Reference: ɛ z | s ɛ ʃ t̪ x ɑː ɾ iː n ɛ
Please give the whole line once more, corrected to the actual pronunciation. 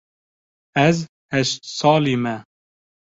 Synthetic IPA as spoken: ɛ z | h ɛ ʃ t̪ s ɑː l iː m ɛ